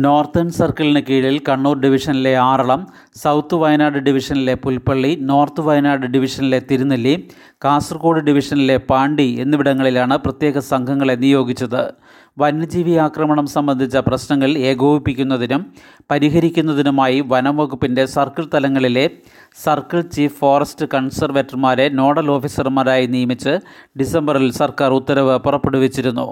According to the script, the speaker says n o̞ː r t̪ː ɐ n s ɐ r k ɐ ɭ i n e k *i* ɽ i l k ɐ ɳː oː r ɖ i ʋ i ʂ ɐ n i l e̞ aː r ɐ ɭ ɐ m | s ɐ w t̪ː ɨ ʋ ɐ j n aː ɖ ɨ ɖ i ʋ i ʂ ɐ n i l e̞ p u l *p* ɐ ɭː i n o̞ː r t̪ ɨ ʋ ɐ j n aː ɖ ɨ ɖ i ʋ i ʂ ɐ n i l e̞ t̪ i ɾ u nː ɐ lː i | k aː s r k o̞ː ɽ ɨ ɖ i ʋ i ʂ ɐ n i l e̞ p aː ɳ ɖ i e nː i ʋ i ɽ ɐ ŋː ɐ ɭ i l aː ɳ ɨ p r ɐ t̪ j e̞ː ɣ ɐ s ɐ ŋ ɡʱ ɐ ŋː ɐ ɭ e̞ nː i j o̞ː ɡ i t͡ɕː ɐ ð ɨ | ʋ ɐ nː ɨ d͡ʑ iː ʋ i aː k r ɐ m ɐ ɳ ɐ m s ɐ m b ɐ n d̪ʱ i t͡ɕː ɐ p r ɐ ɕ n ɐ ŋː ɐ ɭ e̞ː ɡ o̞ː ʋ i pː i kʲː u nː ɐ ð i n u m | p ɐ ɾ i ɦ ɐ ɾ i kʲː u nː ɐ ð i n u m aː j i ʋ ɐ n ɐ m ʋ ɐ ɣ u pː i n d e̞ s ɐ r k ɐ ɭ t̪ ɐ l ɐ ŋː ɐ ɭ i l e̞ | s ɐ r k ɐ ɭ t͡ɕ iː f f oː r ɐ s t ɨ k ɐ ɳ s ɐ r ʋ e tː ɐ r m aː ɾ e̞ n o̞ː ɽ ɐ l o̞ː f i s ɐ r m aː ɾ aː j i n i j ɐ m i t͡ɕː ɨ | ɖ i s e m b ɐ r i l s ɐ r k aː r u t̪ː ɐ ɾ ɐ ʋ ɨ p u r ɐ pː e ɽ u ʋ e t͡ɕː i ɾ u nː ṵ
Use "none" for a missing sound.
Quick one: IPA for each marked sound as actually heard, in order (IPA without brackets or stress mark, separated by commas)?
iː, p